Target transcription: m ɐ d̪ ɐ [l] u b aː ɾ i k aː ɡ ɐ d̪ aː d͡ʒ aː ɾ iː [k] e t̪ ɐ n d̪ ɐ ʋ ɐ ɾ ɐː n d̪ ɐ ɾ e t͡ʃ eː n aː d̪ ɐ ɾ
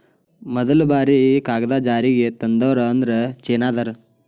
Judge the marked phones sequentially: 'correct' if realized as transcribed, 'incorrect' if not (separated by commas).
correct, incorrect